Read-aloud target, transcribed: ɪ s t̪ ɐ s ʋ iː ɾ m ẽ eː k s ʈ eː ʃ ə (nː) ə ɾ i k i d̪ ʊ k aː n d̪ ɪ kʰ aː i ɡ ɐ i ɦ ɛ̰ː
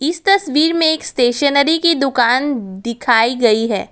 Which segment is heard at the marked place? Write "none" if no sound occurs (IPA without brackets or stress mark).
n